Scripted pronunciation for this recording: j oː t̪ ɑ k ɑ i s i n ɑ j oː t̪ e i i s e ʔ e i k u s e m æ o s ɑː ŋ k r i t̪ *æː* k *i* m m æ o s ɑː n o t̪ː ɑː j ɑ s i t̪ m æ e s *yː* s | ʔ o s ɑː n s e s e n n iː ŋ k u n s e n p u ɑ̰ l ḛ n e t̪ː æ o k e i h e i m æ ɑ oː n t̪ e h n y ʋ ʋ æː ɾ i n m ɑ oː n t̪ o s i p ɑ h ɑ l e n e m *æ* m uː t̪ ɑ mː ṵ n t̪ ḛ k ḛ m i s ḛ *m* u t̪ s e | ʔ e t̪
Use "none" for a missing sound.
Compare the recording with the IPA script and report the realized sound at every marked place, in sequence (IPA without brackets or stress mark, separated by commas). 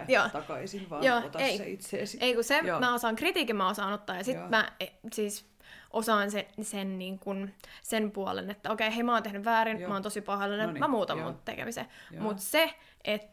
iː, i, iː, æ, m